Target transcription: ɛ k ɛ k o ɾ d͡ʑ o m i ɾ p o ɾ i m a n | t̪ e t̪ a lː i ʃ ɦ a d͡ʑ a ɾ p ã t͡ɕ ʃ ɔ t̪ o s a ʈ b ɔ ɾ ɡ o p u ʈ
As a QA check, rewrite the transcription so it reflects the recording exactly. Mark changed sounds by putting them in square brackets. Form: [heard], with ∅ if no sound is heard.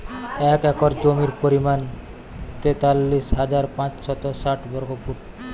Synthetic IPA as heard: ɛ k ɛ k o ɾ d͡ʑ o m i ɾ p o ɾ i m a n | t̪ e t̪ a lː i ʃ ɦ a d͡ʑ a ɾ p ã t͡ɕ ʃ ɔ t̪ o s a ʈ b ɔ ɾ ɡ o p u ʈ